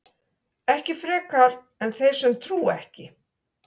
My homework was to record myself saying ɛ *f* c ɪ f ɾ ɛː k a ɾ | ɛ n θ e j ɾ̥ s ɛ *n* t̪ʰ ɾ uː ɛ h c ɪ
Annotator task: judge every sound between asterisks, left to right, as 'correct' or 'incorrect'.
incorrect: h, incorrect: m

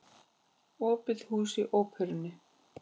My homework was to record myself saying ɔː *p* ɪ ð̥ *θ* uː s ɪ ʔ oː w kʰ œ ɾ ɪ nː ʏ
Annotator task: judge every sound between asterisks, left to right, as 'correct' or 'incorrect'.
correct, incorrect: h

